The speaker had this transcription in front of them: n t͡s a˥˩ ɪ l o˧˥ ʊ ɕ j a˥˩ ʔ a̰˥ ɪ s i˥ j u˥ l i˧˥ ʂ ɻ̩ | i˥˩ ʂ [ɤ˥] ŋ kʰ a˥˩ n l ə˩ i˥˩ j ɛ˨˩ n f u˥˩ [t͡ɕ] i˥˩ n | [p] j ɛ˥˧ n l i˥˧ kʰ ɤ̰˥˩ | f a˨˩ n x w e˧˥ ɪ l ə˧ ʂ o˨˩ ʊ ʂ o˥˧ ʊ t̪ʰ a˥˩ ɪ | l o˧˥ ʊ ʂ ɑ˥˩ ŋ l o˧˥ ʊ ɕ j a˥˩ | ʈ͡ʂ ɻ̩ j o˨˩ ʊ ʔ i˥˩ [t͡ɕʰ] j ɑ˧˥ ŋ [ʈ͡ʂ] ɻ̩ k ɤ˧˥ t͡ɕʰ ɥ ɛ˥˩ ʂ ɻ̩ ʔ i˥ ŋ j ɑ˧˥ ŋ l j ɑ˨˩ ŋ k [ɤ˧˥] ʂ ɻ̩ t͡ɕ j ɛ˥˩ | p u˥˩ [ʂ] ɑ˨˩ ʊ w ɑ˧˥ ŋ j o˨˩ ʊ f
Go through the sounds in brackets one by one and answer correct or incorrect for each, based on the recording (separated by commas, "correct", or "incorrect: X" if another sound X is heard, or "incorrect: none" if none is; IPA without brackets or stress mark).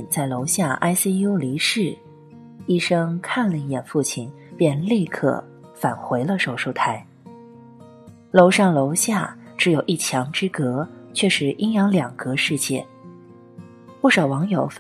correct, incorrect: t͡ɕʰ, correct, correct, correct, correct, correct